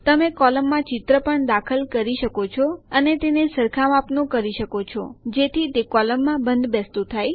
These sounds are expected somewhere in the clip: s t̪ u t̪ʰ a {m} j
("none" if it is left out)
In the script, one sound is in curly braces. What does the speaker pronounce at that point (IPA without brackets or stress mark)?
none